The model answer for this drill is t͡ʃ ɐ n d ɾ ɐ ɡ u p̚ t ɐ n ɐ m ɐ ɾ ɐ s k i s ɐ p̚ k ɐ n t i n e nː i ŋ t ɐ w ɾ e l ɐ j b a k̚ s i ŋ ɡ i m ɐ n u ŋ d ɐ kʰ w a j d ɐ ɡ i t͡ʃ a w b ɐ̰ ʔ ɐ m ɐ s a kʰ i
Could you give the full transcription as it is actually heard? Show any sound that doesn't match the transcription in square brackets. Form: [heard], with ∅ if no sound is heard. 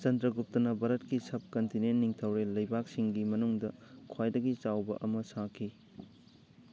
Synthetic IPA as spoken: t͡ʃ ɐ n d ɾ ɐ ɡ u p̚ t ɐ n ɐ [b] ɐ ɾ ɐ [t] k i s ɐ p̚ k ɐ n t i n e nː i ŋ [tʰ] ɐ w ɾ e l ɐ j b a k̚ s i ŋ ɡ i m ɐ n u ŋ d ɐ kʰ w a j d ɐ ɡ i t͡ʃ a w b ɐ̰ ʔ ɐ m ɐ s a kʰ i